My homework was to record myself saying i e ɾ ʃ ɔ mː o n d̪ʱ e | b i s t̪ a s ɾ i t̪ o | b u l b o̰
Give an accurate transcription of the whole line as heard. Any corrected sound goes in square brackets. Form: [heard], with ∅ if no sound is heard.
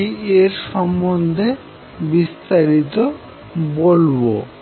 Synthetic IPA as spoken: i e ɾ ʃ ɔ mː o n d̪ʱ e | b i s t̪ a [∅] ɾ i t̪ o | b [o] l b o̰